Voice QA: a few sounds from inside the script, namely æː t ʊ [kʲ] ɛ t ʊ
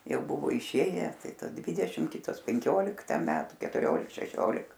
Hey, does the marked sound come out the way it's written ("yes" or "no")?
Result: yes